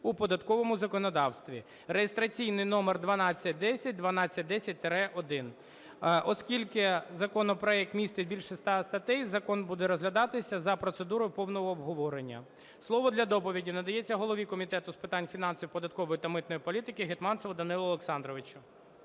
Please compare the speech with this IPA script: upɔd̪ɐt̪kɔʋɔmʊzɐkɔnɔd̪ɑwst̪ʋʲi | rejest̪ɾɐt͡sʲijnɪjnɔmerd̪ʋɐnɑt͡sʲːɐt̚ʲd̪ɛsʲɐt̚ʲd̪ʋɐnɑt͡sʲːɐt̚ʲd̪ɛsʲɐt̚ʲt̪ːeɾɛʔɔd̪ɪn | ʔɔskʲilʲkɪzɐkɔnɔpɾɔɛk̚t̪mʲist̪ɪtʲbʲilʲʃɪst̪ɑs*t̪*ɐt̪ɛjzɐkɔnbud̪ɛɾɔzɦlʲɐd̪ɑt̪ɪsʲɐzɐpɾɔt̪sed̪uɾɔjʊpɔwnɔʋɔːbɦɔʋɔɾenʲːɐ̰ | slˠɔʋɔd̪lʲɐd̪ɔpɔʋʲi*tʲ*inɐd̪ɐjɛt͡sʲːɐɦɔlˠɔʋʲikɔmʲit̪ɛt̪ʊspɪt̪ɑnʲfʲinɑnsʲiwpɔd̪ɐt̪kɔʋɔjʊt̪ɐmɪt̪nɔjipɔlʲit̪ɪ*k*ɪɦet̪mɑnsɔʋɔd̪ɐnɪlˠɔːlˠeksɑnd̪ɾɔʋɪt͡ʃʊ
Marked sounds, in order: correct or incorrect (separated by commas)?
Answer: correct, incorrect, correct